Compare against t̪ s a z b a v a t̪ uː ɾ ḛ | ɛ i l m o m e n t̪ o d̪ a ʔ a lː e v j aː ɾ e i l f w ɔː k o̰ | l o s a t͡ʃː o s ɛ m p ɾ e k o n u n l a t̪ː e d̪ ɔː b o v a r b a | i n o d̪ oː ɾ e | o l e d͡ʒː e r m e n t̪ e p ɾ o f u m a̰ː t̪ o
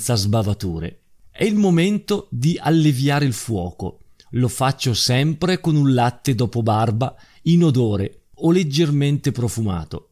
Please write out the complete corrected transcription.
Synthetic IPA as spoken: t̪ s a z b a v a t̪ uː ɾ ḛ | ɛ i l m o m e n t̪ o d̪ i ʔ a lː e v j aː ɾ e i l f w ɔː k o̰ | l o f a t͡ʃː o s ɛ m p ɾ e k o n u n l a t̪ː e d̪ ɔː p o b a r b a | i n o d̪ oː ɾ e | o l e d͡ʒː e r m e n t̪ e p ɾ o f u m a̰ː t̪ o